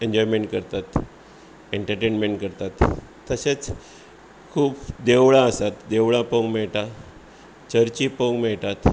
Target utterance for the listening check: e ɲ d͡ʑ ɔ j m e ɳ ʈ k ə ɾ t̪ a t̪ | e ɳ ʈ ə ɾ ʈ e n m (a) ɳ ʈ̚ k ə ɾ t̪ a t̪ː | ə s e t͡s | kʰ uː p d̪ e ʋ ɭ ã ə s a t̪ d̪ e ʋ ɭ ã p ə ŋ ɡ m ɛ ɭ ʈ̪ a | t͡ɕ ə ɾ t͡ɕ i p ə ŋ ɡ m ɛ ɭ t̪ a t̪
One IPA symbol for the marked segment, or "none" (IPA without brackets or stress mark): e